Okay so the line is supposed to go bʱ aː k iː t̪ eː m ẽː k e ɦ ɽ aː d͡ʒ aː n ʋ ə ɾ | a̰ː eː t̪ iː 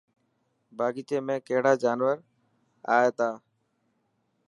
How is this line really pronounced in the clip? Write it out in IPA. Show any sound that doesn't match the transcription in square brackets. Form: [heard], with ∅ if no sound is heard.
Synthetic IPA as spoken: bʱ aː [ɡ] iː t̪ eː m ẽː k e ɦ ɽ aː d͡ʒ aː n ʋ ə ɾ | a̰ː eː t̪ [aː]

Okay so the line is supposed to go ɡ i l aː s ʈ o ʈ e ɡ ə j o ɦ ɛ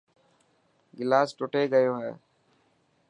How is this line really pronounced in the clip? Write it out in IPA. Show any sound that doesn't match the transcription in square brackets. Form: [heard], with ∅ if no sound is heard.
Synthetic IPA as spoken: ɡ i l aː s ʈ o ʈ e ɡ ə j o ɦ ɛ

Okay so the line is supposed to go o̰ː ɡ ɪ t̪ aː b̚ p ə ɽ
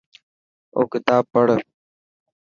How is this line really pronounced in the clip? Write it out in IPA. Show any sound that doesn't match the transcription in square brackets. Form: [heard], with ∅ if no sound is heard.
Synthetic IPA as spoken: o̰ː [k] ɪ t̪ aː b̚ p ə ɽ

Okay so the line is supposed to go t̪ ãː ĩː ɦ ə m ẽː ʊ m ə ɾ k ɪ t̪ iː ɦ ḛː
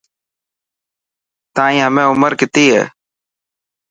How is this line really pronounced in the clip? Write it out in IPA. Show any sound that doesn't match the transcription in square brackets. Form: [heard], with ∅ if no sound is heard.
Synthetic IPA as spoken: t̪ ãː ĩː ɦ ə m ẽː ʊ m ə ɾ k ɪ t̪ iː ɦ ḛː

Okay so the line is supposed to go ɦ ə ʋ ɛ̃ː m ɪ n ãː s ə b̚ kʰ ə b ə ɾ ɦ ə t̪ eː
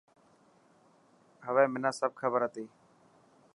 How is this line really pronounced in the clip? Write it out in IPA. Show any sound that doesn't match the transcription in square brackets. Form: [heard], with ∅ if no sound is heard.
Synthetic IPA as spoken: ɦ ə ʋ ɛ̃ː m ɪ n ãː s ə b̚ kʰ ə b ə ɾ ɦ ə t̪ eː

